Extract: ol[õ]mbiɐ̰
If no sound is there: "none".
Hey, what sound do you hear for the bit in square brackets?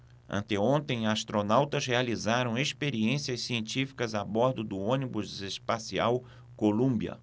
ũ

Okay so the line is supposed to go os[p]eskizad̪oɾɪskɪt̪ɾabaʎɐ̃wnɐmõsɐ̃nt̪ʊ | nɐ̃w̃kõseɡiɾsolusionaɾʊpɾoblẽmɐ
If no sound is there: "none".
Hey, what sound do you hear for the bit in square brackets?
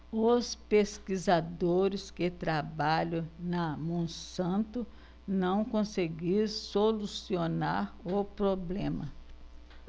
p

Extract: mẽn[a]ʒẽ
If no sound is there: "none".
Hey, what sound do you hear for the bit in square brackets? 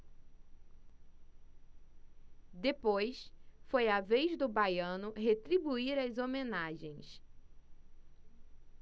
a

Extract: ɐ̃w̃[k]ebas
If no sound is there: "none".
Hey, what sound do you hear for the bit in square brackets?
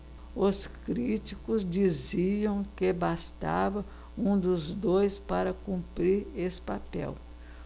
k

